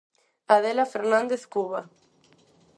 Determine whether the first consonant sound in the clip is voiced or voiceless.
voiced